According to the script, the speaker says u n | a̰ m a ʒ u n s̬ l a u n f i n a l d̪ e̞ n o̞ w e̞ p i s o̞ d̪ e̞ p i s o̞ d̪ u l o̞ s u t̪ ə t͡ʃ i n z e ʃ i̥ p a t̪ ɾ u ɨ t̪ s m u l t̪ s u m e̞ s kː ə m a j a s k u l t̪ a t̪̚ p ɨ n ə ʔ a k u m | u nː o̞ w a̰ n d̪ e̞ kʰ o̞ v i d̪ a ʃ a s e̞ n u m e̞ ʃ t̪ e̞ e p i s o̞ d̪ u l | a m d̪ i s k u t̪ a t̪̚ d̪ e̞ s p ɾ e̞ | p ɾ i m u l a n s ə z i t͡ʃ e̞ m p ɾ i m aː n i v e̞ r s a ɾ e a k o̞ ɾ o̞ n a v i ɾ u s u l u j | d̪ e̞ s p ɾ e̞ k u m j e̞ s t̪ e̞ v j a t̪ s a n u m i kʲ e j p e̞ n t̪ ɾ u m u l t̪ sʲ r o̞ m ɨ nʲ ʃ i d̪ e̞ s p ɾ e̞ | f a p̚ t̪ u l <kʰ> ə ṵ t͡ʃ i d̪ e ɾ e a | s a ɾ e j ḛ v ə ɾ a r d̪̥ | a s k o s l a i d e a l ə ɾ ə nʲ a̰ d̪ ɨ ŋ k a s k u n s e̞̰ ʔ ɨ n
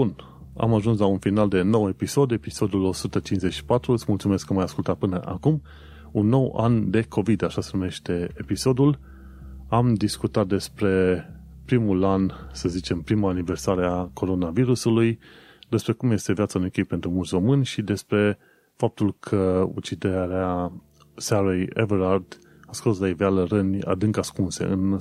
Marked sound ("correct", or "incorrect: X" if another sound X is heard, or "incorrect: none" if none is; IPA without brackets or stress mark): correct